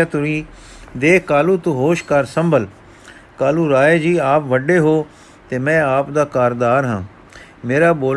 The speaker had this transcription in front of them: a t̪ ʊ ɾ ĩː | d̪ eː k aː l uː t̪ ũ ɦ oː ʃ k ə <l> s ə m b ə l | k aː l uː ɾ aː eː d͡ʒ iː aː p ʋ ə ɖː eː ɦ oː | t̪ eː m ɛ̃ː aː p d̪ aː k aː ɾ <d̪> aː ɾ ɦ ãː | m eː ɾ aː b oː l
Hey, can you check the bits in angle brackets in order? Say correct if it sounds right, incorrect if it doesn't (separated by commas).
incorrect, correct